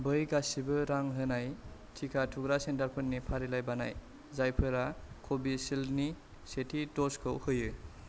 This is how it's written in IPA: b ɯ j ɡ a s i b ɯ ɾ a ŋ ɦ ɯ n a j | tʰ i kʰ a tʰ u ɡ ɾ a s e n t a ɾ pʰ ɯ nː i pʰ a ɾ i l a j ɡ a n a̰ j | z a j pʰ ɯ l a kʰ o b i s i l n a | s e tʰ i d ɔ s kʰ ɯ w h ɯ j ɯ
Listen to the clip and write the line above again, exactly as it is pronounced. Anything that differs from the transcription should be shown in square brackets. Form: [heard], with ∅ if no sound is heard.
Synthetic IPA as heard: b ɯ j ɡ a s i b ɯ ɾ a ŋ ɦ ɯ n a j | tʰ i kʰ a tʰ u ɡ ɾ a s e n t a ɾ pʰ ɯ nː i pʰ a ɾ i l a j [b] a n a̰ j | z a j pʰ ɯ [ɾ] a kʰ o b i s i l n [i] | s e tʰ i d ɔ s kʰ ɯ w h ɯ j ɯ